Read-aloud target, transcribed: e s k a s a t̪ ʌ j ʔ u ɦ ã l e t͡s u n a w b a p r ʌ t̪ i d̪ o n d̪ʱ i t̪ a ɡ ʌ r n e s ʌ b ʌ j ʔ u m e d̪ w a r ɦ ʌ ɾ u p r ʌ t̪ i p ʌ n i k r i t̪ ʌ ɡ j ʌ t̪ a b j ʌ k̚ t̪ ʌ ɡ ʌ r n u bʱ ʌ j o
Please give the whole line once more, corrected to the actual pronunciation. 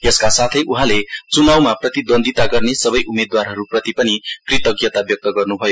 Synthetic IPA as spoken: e s k a s a t̪ʰ ʌ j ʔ u ɦ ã l e t͡s u n a w m a p r ʌ t̪ i d̪ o n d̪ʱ i t̪ a ɡ ʌ r n e s ʌ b ʌ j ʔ u m e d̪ w a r ɦ ʌ ɾ u p r ʌ t̪ i p ʌ n i k r i t̪ ʌ ɡ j ʌ t̪ a b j ʌ k̚ t̪ ʌ ɡ ʌ r n u bʱ ʌ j o